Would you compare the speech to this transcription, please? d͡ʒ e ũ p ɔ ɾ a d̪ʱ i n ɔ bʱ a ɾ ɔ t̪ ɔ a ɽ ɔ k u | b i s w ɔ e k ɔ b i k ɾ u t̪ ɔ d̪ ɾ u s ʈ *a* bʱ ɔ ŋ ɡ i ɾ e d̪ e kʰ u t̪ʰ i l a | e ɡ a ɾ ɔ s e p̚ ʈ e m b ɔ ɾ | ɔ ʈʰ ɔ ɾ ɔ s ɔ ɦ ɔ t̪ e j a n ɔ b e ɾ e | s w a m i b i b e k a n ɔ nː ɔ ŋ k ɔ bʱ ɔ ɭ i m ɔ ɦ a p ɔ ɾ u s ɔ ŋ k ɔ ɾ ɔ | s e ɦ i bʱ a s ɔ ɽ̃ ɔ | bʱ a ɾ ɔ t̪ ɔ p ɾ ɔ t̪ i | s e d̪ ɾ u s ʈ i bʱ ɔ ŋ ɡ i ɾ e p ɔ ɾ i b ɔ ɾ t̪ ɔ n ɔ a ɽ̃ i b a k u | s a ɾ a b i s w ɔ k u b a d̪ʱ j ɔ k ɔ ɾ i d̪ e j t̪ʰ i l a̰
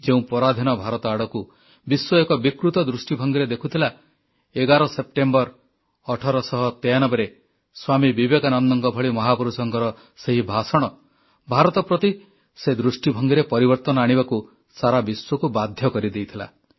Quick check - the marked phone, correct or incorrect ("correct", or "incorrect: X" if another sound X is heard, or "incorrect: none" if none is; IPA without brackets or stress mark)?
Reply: incorrect: i